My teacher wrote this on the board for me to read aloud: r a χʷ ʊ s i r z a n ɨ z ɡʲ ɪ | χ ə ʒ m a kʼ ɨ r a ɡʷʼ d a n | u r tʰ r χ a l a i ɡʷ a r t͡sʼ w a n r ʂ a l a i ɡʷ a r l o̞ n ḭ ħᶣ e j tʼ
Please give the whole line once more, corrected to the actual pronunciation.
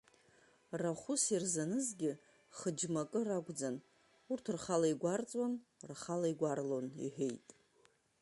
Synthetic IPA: r a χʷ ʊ s i r z a n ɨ z ɡʲ ɪ | χ ə d͡ʒ m a kʼ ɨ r a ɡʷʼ d͡z a n | u r tʰ r χ a l a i ɡʷ a r t͡sʼ w a n r χ a l a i ɡʷ a r l o̞ n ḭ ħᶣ e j tʼ